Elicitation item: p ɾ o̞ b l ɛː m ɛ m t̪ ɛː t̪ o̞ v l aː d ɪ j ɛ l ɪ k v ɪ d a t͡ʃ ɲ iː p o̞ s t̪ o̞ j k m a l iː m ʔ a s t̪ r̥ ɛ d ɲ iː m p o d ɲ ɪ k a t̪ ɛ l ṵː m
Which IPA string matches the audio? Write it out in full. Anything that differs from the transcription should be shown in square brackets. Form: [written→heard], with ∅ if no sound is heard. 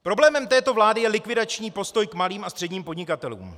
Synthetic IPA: p ɾ o̞ b l ɛː m ɛ m t̪ ɛː t̪ o̞ v l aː d ɪ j ɛ l ɪ k v ɪ d a t͡ʃ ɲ iː p o̞ s t̪ o̞ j k m a l iː m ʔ a s t̪ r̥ ɛ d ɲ iː m p o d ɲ ɪ k a t̪ ɛ l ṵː m